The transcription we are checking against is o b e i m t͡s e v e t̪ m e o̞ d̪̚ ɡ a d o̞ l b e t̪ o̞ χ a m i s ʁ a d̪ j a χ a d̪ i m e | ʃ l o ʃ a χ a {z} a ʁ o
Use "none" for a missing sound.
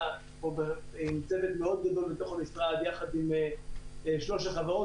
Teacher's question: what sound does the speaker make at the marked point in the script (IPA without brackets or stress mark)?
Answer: v